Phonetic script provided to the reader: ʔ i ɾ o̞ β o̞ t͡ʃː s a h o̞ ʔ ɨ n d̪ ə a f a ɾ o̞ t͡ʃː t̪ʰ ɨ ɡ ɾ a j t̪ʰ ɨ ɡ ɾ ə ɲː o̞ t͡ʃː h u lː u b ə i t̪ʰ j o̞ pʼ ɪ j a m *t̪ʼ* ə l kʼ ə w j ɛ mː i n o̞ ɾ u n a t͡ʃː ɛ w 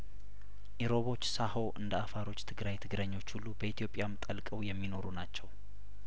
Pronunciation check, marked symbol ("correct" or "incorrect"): correct